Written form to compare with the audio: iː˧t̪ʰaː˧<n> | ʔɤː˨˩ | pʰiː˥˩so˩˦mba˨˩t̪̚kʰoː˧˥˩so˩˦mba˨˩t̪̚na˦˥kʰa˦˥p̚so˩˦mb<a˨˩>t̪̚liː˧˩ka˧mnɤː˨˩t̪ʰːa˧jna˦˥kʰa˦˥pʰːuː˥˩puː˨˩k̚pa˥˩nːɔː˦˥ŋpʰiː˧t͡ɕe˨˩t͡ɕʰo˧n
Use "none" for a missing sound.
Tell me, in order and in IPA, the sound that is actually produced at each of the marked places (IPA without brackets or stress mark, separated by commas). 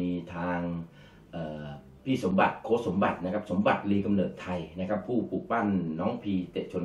ŋ, a˨˩